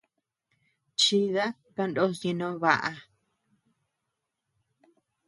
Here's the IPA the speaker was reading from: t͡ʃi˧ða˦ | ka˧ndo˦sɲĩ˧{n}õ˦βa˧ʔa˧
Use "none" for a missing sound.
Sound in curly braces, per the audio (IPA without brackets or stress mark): n